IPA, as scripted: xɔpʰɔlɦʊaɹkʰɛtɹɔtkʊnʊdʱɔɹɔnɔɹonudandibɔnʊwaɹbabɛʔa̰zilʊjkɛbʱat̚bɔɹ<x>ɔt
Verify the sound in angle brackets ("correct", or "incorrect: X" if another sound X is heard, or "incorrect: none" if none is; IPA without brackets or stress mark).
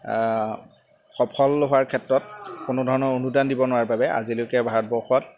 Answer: correct